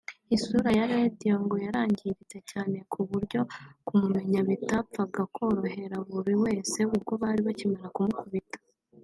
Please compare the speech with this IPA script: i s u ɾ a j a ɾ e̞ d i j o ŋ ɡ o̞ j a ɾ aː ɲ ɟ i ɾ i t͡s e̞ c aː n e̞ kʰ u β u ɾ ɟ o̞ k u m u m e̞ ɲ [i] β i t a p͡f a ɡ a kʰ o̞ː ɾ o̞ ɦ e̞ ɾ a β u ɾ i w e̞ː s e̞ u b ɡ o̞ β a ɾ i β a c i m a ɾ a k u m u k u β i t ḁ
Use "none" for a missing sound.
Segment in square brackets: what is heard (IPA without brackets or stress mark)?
a